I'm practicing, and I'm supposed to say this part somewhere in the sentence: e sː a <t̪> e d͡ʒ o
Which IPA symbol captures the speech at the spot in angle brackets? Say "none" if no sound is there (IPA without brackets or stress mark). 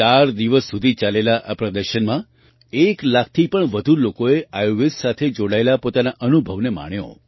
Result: t̪ʰ